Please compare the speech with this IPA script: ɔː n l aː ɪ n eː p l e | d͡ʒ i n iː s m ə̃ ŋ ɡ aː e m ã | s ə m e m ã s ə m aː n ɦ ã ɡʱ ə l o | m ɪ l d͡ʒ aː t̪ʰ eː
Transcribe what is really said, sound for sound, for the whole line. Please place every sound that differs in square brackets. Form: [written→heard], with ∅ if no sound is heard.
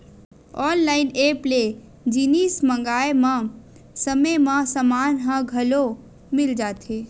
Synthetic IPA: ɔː n l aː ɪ n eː p l e | d͡ʒ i n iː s m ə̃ ŋ ɡ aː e m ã | s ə m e m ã s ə m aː n ɦ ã ɡʱ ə l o | m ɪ l d͡ʒ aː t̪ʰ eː